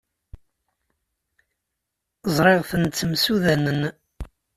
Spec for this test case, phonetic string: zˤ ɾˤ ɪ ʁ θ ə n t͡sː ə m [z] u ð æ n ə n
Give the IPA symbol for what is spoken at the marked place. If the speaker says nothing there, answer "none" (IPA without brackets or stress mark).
s